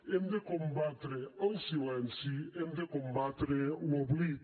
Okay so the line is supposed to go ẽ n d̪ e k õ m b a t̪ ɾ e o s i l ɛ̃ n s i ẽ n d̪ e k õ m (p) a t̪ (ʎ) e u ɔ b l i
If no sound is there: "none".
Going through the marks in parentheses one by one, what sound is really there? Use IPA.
b, ɾ

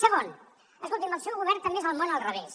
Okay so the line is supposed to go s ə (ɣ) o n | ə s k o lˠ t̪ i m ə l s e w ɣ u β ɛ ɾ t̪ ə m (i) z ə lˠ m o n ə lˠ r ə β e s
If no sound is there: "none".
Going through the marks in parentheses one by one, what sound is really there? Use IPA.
ɣ, e

